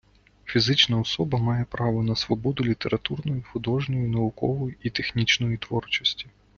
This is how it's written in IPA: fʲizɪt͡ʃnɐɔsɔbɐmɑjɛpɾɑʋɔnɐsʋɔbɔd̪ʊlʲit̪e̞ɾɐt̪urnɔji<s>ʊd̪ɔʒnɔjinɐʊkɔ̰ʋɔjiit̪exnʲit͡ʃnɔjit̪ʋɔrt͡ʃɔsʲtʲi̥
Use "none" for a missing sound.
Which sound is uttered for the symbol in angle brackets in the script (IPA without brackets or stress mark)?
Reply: x